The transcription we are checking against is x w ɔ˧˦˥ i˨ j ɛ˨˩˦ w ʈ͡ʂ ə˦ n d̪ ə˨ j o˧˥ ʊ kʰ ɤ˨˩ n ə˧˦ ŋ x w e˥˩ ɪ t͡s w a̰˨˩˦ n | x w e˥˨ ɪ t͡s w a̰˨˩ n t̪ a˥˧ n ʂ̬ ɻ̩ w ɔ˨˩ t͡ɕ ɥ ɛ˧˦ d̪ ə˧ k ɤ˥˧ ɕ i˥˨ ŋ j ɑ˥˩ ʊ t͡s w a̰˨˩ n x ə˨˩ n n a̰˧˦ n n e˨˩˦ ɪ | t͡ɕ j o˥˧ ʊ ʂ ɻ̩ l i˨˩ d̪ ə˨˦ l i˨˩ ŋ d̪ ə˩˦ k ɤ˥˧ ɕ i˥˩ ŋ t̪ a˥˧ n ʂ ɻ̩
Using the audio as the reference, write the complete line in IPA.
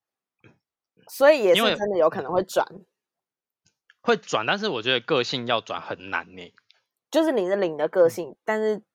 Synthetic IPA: s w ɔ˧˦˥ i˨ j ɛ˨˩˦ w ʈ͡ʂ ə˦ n d̪ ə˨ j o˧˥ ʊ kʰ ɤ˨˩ n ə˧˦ ŋ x w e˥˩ ɪ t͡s w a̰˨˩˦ n | x w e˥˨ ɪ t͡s w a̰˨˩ n t̪ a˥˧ n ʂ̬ ɻ̩ w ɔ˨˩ t͡ɕ ɥ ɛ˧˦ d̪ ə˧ k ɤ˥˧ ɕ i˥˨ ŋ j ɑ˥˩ ʊ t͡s w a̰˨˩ n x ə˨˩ n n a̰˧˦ n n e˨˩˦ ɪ | t͡ɕ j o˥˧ ʊ ʂ ɻ̩ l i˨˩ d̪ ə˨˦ l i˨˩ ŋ d̪ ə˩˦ k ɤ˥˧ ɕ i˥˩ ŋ t̪ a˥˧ n ʂ ɻ̩